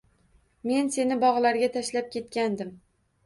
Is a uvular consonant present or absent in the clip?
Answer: present